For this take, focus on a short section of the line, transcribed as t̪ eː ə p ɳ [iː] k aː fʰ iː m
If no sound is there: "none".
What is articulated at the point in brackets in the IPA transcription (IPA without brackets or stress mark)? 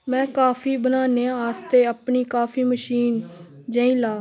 iː